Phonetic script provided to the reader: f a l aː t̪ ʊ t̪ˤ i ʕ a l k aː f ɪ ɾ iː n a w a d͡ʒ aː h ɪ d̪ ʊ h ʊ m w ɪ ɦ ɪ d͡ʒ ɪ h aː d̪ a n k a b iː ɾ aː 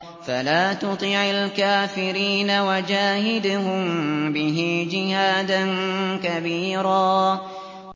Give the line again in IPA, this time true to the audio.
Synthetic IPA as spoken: f a l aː t̪ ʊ t̪ˤ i ʕ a l k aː f ɪ ɾ iː n a w a d͡ʒ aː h ɪ d̪ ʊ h ʊ m b ɪ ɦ ɪ d͡ʒ ɪ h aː d̪ a n k a b iː ɾ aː